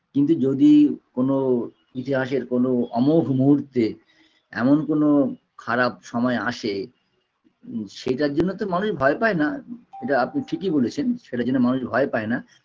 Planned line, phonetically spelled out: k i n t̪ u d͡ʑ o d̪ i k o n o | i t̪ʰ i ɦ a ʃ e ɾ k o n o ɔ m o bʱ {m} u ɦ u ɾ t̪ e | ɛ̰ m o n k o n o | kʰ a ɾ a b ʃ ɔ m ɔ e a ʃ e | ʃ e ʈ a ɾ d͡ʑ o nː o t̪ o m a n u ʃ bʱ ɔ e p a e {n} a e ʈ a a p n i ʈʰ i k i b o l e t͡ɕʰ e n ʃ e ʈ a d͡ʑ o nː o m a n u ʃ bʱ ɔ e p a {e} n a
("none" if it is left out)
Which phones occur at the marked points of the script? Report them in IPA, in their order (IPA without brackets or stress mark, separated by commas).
m, n, e